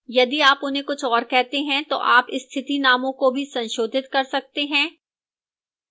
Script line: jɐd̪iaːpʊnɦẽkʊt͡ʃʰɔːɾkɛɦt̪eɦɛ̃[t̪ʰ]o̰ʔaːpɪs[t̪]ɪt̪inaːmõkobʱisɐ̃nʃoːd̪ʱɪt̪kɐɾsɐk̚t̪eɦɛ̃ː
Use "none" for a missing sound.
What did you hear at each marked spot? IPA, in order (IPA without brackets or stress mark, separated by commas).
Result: t̪, t̪ʰ